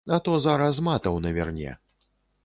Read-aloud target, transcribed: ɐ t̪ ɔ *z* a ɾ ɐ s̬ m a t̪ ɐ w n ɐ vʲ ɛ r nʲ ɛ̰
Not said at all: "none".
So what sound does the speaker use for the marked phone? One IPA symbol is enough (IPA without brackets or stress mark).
z